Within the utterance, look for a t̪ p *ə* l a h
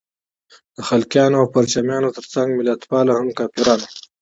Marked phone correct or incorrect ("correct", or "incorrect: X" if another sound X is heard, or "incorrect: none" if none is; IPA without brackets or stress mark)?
incorrect: ɑ